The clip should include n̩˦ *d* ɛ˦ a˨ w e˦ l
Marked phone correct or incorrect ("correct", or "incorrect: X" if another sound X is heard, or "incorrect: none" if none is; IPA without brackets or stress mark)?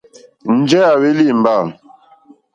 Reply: incorrect: d͡ʒ